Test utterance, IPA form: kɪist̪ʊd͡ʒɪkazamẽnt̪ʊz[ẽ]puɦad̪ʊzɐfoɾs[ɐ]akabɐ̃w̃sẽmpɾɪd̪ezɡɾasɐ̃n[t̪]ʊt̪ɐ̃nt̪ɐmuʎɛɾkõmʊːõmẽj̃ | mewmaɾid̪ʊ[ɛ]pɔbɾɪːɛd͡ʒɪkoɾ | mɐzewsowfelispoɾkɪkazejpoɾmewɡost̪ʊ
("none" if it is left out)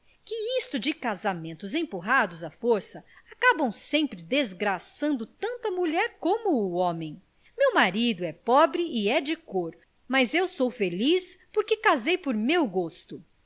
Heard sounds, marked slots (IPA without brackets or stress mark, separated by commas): ẽ, ɐ, d̪, ɛ